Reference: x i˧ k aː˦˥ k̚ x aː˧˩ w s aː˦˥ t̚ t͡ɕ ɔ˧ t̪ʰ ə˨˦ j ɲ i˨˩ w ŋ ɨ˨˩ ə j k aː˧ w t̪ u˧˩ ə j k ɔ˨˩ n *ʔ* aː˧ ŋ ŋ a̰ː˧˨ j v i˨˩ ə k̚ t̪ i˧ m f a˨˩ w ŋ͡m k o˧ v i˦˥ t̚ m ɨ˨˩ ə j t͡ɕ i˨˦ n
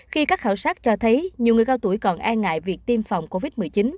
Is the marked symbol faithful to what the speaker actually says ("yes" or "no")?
yes